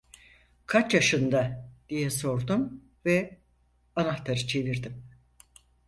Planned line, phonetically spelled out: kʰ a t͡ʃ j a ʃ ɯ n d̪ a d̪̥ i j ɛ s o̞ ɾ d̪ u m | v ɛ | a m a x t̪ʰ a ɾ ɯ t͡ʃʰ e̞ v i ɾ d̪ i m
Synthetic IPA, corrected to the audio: kʰ a t͡ʃ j a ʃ ɯ n d̪ a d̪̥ i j ɛ s o̞ ɾ d̪ u m | v ɛ | a n a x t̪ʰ a ɾ ɯ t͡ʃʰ e̞ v i ɾ d̪ i m